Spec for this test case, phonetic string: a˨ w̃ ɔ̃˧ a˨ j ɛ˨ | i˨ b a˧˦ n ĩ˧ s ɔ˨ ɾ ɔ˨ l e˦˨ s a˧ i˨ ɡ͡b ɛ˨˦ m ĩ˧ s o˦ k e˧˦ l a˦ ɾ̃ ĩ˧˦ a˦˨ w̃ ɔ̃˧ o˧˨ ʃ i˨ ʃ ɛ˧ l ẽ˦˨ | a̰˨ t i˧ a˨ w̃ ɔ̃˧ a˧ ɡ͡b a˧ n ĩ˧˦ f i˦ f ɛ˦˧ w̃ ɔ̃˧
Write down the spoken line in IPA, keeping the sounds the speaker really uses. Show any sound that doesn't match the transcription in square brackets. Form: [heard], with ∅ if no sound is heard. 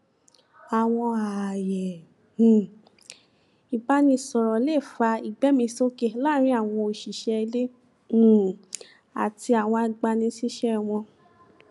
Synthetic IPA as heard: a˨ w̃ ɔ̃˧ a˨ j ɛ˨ | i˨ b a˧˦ n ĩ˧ s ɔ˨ ɾ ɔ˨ l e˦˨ [f] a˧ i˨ ɡ͡b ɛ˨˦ m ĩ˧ s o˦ k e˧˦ l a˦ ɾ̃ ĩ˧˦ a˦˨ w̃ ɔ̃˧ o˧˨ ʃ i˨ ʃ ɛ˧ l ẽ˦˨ | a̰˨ t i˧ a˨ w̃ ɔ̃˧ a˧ ɡ͡b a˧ n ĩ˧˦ [s] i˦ [ʃ] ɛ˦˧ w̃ ɔ̃˧